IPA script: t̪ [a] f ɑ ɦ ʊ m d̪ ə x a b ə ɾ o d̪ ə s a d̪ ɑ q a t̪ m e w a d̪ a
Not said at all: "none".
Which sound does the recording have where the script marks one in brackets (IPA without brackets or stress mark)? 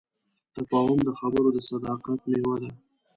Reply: a